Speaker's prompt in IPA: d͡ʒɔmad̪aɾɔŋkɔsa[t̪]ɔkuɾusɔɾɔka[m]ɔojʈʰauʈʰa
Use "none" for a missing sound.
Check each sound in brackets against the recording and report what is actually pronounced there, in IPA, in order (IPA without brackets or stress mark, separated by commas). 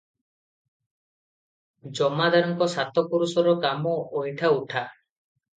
t̪, m